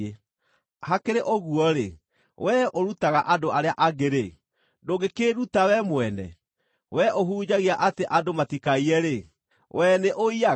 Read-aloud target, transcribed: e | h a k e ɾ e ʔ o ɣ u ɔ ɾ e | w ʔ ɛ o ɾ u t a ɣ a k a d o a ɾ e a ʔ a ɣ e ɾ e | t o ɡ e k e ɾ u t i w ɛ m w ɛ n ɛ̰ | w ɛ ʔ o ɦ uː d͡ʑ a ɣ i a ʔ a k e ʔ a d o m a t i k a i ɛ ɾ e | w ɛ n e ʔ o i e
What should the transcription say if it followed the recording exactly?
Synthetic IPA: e | h a k e ɾ e ʔ o ɣ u ɔ ɾ e | w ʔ ɛ o ɾ u t a ɣ a ʔ a d o a ɾ e a ʔ a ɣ e ɾ e | d o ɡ e k e ɾ u t a w ɛ m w ɛ n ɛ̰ | w ɛ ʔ o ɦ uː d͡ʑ a ɣ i a ʔ a t e ʔ a d o m a t i k a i ɛ ɾ e | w ɛ n e ʔ o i a